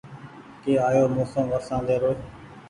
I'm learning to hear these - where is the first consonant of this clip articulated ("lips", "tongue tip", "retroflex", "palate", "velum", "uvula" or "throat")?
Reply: velum